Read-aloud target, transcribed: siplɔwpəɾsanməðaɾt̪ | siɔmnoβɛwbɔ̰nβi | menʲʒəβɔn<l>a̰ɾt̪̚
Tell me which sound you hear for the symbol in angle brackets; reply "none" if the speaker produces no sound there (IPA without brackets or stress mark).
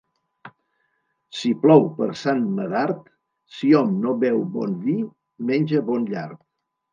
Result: ʎ